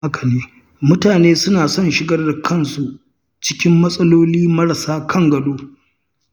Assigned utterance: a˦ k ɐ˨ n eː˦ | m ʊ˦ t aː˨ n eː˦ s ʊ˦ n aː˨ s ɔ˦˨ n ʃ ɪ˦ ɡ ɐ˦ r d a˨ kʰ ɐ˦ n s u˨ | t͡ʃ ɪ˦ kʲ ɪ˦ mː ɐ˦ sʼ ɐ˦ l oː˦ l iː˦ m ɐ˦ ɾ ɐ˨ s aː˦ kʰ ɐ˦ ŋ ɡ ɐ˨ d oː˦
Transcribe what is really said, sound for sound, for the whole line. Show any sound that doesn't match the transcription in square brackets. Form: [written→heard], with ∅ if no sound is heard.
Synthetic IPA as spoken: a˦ k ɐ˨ n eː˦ | m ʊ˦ t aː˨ n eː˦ s ʊ˦ n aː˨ s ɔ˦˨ n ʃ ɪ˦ ɡ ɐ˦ r d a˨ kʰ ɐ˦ n s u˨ | t͡ʃ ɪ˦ kʲ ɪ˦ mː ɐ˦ sʼ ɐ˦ l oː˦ l iː˦ m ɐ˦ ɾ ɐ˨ s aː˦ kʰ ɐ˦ ŋ ɡ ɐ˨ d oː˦